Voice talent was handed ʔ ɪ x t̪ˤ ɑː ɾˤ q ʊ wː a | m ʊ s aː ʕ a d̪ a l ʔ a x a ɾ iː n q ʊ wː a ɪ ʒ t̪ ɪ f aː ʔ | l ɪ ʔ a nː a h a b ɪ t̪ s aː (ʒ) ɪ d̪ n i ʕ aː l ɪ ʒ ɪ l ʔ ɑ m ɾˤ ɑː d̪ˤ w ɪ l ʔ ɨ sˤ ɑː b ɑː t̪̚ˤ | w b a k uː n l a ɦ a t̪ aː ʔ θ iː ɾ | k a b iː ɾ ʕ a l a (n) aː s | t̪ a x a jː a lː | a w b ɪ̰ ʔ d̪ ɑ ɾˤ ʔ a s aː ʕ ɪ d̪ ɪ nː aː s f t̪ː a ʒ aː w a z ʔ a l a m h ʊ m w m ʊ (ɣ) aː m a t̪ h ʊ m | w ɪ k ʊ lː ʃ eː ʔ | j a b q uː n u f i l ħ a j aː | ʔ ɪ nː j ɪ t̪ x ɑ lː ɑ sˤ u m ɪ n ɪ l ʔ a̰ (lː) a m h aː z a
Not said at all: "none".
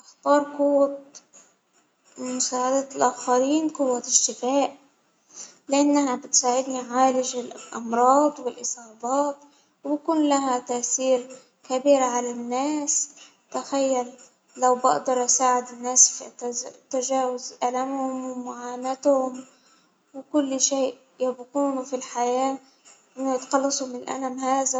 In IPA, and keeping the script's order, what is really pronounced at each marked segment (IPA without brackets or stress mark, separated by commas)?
ʕ, nː, ʕ, l